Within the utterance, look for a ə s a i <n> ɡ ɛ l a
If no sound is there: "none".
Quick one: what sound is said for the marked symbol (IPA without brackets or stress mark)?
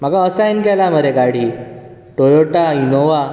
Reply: n